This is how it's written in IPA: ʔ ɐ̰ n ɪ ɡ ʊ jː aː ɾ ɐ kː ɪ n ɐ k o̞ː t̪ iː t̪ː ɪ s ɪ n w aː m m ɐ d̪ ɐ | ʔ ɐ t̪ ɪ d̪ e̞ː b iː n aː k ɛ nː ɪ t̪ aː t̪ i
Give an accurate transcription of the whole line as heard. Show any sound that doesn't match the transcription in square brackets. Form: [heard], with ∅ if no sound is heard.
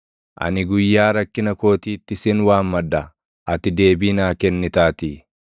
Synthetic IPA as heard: ʔ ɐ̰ n ɪ ɡ ʊ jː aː ɾ ɐ kː ɪ n ɐ k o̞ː t̪ iː t̪ː ɪ s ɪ n w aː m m ɐ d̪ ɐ | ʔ ɐ t̪ ɪ d̪ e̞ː b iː n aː k ɛ nː ɪ t̪ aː t̪ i